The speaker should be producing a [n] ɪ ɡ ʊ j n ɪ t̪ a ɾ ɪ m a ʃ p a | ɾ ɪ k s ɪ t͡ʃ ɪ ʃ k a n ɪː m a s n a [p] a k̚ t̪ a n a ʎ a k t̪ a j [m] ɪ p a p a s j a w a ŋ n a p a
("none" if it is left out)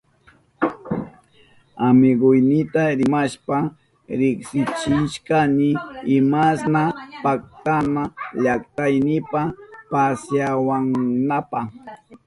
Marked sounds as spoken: m, p, n

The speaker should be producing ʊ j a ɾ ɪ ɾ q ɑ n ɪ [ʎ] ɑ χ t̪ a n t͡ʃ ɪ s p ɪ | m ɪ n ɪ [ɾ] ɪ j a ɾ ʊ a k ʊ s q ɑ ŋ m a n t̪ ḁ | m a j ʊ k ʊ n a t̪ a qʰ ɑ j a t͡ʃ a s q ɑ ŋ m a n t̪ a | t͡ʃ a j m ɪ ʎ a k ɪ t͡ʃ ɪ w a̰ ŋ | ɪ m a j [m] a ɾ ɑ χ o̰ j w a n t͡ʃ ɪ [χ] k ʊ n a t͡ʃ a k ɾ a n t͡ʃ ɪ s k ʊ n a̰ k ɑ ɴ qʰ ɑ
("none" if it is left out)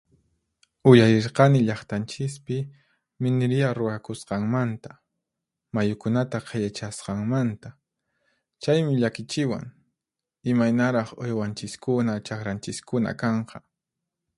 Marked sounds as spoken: ʎ, ɾ, n, s

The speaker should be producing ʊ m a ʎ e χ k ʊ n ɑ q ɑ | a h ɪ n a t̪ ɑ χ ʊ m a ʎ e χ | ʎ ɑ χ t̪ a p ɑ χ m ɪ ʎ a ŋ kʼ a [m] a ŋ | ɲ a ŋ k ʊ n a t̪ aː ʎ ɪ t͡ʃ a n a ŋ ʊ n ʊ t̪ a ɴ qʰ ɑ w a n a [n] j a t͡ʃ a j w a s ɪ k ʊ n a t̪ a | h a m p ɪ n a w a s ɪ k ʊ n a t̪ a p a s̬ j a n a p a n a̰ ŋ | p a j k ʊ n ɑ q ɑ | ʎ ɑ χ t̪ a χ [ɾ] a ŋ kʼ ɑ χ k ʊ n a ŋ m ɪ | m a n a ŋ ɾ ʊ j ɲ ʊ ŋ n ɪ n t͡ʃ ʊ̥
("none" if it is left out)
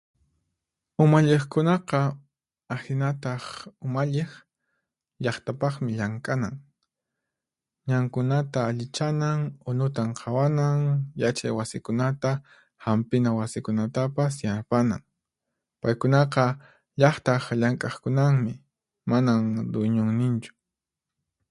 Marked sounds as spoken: n, ŋ, ʎ

